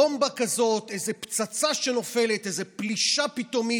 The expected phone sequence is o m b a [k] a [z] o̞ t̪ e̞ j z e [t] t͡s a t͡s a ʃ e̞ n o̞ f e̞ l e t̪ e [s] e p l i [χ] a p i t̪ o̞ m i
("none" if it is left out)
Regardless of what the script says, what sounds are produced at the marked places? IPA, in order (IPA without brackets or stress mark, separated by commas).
k, z, p, z, ʃ